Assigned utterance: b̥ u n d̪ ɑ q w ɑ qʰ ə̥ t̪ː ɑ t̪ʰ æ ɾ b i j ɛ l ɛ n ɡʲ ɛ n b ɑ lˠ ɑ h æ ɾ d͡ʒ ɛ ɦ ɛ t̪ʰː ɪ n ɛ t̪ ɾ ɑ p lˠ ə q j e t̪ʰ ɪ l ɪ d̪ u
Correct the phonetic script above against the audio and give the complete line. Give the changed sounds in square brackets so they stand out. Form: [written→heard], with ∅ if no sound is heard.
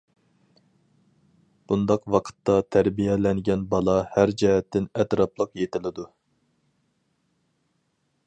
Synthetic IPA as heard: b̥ u n d̪ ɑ q w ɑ qʰ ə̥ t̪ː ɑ t̪ʰ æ ɾ b i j ɛ l ɛ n ɡʲ ɛ n b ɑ lˠ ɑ h æ ɾ d͡ʒ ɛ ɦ ɛ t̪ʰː ɪ n ɛ t̪ ɾ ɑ p lˠ ə q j e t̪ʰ ɪ l ɪ d̪ u